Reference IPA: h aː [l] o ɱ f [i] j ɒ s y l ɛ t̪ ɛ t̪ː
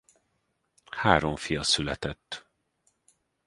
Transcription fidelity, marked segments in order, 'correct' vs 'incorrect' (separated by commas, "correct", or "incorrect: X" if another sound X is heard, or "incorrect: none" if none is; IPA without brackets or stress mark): incorrect: ɾ, correct